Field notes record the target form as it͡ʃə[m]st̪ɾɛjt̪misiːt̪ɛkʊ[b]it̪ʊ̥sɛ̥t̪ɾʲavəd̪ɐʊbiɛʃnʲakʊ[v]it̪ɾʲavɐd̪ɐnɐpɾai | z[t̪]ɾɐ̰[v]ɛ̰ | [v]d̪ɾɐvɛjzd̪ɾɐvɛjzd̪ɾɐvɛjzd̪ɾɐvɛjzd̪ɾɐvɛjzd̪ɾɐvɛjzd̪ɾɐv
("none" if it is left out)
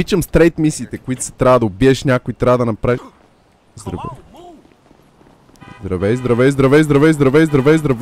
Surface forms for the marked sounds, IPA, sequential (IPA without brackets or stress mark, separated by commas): m, none, none, d̪, v, z